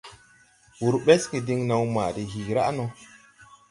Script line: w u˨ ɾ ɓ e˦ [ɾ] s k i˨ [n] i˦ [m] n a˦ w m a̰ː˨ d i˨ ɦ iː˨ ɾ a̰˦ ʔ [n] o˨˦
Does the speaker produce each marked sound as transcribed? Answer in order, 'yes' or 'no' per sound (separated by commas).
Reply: no, no, no, yes